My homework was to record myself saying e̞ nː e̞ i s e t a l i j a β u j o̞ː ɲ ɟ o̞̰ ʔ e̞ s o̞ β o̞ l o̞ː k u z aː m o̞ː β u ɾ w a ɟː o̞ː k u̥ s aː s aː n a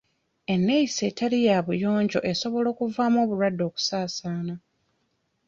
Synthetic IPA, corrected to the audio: e̞ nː e̞ i s e t a l i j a β u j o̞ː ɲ ɟ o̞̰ ʔ e̞ s o̞ β o̞ l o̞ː k u v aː m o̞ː β u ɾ w a dː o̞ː k u̥ s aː s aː n a